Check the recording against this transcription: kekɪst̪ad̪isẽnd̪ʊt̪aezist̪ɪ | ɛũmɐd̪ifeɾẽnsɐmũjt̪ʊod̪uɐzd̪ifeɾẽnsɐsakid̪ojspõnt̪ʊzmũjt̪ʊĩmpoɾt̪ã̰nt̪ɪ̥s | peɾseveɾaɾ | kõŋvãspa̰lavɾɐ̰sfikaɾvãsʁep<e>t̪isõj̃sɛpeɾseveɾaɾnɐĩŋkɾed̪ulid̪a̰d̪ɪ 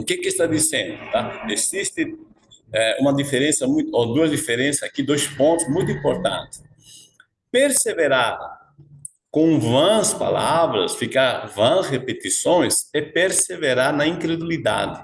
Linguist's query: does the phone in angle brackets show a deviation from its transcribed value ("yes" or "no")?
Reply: no